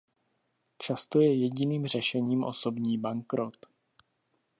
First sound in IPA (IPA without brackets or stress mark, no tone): t͡ʃ